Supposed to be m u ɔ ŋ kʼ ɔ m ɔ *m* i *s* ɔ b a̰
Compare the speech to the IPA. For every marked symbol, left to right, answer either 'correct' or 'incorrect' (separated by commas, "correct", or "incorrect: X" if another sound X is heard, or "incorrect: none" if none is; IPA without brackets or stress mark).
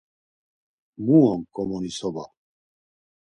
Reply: incorrect: n, correct